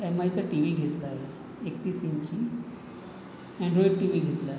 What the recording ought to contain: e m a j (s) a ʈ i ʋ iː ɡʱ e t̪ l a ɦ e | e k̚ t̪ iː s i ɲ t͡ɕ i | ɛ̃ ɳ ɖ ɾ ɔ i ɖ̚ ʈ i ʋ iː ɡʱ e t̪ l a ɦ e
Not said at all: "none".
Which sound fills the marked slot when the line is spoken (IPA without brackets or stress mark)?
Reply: t͡s